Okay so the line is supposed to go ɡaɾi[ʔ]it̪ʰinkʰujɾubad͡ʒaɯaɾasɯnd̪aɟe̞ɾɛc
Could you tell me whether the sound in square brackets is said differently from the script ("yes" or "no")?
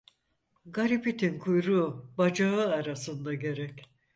yes